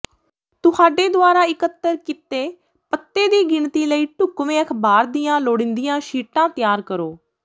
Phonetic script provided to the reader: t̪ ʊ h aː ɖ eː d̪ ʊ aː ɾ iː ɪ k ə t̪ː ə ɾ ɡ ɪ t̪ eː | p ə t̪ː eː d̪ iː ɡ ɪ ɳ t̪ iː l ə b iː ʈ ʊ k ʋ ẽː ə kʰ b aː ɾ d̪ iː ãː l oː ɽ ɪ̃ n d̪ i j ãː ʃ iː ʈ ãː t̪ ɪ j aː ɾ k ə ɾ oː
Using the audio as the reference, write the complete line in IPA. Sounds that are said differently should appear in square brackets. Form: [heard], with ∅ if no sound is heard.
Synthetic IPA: t̪ ʊ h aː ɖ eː d̪ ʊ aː ɾ [aː] ɪ k ə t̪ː ə ɾ [k] ɪ t̪ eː | p ə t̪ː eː d̪ iː ɡ ɪ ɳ t̪ iː l ə [∅] iː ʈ ʊ k ʋ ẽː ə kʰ b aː ɾ d̪ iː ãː l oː ɽ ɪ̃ n d̪ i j ãː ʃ iː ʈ ãː t̪ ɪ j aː ɾ k ə ɾ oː